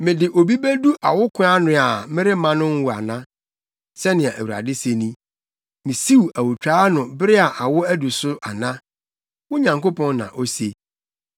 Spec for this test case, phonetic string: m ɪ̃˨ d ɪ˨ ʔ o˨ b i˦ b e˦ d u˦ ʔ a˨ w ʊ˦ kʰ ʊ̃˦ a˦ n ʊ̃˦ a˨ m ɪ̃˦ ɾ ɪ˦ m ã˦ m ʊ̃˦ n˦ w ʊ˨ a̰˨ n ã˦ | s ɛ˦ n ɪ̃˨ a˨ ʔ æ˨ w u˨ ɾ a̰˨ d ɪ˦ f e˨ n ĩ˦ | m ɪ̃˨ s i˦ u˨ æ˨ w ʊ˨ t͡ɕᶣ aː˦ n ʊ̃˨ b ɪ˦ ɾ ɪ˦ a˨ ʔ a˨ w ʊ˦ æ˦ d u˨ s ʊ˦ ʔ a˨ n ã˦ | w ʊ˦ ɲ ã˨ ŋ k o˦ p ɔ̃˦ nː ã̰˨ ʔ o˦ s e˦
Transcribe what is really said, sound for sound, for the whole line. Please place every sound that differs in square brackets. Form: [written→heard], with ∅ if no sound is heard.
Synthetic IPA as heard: m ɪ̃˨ d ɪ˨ ʔ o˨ b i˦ b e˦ d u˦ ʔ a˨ w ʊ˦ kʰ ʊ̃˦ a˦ n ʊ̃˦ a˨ m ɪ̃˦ ɾ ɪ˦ m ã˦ [m→n] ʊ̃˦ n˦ w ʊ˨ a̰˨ n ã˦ | s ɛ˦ n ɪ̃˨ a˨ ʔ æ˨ w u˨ ɾ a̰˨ d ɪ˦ [f→s] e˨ n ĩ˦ | m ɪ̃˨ s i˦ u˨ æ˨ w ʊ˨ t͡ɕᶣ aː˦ n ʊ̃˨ b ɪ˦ ɾ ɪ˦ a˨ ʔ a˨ w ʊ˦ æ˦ d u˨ s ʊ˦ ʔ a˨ n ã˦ | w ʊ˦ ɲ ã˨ ŋ k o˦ p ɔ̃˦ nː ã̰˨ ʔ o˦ s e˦

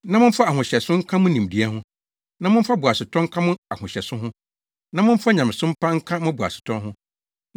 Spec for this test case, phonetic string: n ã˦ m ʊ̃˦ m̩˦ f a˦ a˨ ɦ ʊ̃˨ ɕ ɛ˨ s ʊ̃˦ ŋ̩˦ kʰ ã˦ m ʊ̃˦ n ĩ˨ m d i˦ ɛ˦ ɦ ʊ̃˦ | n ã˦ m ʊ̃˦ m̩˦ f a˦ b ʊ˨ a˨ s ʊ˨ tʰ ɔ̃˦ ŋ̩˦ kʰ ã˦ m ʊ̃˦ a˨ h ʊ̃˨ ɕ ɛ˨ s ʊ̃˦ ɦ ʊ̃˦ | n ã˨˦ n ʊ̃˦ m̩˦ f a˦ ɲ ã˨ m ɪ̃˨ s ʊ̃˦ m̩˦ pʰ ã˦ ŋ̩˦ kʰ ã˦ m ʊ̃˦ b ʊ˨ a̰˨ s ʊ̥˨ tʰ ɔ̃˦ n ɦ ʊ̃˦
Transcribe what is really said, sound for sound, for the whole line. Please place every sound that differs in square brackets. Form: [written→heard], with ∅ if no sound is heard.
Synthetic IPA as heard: n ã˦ m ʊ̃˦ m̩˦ f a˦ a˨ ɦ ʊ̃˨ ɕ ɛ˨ s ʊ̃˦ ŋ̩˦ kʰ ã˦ m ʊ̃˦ n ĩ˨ m d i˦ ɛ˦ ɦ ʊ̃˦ | n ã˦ m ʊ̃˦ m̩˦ f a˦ b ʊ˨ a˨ s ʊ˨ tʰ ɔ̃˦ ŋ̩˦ kʰ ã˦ m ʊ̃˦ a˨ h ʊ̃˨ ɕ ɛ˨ s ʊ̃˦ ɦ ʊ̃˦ | n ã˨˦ [n→m] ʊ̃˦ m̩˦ f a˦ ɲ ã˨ m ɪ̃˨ s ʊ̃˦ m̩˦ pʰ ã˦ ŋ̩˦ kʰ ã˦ m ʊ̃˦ b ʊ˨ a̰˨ s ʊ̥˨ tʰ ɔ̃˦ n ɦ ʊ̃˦

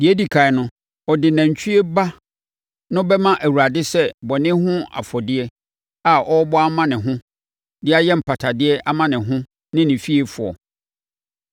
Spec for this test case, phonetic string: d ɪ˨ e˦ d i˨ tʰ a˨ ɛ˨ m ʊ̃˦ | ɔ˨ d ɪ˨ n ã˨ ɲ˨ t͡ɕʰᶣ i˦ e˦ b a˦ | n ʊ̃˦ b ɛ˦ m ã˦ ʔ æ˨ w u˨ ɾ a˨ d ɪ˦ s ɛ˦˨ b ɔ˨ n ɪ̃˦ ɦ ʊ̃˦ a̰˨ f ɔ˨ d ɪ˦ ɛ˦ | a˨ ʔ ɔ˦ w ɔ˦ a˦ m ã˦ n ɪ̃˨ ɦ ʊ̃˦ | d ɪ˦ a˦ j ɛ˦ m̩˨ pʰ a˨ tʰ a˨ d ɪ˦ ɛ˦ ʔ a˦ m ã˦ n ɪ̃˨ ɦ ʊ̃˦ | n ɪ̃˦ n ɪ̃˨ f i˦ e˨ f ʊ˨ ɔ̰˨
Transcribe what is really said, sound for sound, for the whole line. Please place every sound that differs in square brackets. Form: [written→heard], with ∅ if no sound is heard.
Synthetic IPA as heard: d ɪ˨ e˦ d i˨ [tʰ→kʰ] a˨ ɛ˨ [m→n] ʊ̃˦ | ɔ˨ d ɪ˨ n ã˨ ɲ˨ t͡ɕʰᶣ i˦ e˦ b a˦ | n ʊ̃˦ b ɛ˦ m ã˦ ʔ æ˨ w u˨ ɾ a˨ d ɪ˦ s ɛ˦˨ b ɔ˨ n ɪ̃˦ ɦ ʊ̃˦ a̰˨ f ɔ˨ d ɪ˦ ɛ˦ | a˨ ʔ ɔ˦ [w→b] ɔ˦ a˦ m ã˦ n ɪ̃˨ ɦ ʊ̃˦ | d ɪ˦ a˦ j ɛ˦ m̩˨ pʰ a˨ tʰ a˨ d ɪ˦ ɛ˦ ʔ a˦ m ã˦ n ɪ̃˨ ɦ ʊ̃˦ | n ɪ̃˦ n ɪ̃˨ f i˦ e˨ f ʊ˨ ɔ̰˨

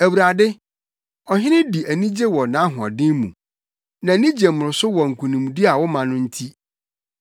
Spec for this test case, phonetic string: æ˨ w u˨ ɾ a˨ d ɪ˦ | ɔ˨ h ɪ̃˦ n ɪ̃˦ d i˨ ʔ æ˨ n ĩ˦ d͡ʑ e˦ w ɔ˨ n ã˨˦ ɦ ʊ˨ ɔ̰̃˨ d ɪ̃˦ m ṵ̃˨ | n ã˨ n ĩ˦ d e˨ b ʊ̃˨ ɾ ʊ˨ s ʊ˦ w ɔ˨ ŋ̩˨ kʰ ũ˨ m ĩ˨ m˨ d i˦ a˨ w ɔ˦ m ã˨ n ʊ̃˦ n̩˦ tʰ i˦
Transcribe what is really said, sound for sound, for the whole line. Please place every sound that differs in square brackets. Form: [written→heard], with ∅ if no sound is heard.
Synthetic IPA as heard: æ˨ w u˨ ɾ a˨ d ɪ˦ | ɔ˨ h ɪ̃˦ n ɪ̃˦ d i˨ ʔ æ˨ n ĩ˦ d͡ʑ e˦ w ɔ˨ n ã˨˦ ɦ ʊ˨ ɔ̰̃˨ d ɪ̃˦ m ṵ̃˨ | n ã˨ n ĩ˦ [d→d͡ʑ] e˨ [b→m] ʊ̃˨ ɾ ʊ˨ s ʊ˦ w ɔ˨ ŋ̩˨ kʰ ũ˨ [m→n] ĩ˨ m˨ d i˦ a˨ w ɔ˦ m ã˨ n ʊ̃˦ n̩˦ tʰ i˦

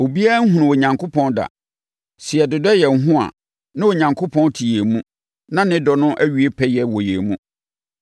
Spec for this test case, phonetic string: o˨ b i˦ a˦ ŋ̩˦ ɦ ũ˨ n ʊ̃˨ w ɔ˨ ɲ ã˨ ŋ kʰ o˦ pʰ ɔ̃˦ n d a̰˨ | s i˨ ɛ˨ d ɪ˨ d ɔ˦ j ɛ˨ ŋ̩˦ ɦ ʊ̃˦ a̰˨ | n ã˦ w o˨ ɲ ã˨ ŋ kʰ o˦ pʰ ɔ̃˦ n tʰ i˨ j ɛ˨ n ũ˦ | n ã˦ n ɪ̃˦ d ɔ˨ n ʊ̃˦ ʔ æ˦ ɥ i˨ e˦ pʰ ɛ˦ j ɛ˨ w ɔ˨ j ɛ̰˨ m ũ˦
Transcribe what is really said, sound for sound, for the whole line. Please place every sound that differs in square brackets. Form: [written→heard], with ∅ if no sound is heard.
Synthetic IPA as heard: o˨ b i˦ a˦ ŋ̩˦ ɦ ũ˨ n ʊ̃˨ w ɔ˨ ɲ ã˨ ŋ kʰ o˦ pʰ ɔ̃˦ n d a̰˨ | s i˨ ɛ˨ d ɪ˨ d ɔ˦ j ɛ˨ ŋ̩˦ ɦ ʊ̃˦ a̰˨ | n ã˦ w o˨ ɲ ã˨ ŋ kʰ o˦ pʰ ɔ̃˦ n tʰ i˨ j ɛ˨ [n→m] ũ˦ | n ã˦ n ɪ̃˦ d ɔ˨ n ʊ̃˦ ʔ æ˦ ɥ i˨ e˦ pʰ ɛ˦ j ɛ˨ w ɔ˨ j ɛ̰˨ m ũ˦

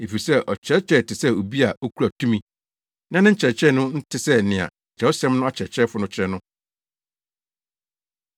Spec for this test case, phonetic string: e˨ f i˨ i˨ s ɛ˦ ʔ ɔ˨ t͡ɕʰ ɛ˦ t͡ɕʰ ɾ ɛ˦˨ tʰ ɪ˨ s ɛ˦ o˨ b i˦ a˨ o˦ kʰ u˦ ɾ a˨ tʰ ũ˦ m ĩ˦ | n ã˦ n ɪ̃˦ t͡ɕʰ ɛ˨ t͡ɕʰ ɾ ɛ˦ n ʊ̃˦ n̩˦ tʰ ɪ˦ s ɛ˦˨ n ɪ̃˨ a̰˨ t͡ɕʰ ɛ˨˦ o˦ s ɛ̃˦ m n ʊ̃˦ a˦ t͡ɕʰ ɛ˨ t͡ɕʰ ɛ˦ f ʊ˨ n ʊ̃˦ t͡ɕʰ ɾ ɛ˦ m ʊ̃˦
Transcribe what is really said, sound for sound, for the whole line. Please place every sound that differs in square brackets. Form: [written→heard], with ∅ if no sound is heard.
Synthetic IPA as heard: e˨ f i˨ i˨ s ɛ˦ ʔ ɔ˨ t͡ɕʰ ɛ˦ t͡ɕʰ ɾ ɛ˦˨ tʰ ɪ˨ s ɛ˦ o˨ b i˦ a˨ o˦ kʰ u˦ ɾ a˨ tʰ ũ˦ m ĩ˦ | n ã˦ n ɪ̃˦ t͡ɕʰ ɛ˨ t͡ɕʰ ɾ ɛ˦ n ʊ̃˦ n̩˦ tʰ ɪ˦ s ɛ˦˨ n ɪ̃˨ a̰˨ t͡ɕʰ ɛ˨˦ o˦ s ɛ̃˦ m n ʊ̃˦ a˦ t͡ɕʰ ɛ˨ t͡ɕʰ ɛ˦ f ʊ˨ n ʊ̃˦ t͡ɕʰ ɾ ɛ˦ [m→n] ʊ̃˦

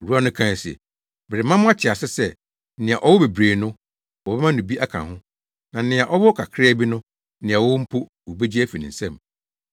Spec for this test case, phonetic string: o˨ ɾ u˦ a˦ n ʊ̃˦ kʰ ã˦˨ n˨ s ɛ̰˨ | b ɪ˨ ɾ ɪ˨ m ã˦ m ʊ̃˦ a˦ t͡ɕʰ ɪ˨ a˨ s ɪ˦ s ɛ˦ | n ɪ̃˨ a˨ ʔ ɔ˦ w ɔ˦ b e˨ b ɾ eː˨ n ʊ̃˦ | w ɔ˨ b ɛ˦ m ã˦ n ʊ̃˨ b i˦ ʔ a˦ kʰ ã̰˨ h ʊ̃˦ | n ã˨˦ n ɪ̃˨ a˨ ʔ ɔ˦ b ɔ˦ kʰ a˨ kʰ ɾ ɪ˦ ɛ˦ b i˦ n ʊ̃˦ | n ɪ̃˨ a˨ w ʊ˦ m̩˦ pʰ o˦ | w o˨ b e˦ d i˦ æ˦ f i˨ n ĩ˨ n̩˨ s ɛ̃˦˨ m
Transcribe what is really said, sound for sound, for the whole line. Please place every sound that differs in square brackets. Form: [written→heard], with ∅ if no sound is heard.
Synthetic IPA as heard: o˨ ɾ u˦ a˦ n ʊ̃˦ kʰ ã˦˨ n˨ s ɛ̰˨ | b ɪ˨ ɾ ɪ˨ m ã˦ m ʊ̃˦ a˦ t͡ɕʰ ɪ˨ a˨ s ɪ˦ s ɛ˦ | n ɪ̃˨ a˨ ʔ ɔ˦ w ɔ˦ b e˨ b ɾ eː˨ n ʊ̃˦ | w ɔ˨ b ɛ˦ m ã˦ n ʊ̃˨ b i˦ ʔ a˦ kʰ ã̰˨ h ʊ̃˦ | n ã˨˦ n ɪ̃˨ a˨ ʔ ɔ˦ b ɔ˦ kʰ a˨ kʰ ɾ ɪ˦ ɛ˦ b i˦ n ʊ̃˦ | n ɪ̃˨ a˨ w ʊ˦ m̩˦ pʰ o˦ | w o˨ b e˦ [d→d͡ʑ] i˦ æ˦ f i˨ n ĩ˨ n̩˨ s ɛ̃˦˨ m

